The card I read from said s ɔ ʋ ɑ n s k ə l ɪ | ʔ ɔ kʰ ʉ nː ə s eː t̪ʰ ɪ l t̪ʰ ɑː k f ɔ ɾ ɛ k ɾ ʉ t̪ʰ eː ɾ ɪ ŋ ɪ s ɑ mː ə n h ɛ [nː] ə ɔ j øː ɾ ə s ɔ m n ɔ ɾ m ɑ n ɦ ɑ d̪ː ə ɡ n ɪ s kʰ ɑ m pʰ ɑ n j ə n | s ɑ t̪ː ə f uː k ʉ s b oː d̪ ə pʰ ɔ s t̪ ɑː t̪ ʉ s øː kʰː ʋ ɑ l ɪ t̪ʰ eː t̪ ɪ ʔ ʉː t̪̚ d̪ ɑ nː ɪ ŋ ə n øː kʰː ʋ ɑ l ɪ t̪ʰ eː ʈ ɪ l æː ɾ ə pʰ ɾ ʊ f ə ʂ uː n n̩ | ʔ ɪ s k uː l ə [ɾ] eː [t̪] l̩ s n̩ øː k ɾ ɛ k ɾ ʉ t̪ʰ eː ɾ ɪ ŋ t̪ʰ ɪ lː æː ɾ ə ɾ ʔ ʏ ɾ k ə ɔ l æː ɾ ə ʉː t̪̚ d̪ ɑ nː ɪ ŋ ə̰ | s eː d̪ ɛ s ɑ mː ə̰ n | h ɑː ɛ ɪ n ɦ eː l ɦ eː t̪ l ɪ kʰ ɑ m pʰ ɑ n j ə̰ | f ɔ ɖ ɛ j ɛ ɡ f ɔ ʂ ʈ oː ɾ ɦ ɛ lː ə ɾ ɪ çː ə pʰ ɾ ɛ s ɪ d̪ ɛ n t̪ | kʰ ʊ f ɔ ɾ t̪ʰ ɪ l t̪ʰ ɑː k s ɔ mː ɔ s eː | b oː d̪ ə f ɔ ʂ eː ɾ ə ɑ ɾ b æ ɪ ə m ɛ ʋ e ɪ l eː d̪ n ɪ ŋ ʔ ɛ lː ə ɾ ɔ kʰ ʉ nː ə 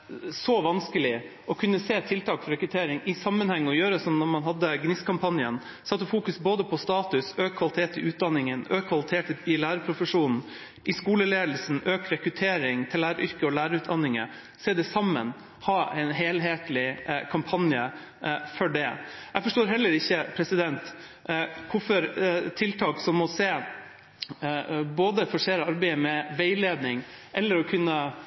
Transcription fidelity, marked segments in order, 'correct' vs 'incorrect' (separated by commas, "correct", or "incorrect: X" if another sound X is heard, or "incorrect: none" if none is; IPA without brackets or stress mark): incorrect: ŋː, incorrect: l, incorrect: d̪